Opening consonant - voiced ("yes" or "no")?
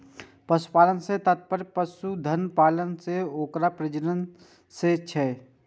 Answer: no